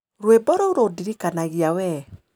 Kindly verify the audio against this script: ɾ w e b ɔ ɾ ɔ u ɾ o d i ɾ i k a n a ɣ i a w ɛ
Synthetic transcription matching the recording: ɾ w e b ɔ ɾ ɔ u ɾ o d i ɾ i k a n a ɣ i a w ɛ